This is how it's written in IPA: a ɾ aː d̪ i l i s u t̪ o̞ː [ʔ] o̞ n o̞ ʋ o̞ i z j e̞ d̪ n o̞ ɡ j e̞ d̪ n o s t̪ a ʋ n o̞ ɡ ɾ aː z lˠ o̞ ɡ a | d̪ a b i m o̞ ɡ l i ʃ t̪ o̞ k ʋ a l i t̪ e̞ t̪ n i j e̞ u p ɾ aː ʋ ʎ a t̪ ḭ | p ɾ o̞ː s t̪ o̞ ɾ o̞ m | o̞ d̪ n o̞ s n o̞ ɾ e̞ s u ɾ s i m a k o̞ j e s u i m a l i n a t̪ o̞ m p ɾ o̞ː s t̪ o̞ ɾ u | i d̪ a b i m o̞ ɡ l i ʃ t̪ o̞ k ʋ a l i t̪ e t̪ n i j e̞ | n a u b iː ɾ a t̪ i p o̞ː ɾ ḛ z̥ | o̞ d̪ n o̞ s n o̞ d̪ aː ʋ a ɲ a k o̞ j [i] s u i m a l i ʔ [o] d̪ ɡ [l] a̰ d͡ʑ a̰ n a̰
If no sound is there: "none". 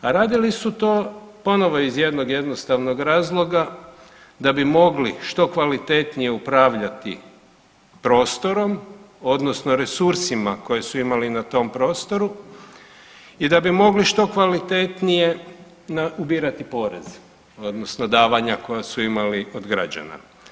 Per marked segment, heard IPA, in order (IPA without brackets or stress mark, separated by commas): p, a, o, ɾ